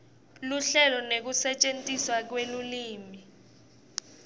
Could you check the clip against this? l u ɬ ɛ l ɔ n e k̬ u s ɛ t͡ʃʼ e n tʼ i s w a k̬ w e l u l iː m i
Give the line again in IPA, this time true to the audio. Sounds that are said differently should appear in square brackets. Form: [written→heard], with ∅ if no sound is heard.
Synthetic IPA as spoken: l u ɬ ɛ l ɔ n e k̬ u s ɛ t͡ʃʼ e n tʼ i s w a k̬ w e l u l iː m i